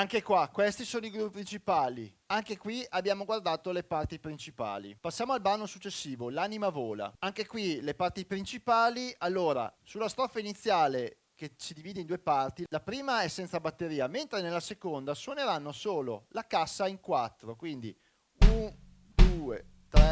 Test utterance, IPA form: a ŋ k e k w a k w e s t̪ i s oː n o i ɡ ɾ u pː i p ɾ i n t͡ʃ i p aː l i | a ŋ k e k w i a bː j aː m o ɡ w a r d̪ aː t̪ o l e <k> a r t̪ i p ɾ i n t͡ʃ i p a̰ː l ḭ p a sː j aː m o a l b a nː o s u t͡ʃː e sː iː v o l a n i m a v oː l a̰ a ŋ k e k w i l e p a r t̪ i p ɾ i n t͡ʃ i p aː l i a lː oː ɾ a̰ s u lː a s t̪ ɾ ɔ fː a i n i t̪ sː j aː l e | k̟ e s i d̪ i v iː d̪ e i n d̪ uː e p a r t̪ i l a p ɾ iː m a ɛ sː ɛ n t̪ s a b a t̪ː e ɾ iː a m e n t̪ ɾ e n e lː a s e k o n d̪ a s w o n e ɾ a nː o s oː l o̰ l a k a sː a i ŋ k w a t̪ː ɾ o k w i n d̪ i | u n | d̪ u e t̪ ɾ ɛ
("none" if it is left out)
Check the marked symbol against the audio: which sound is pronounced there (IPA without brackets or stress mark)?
p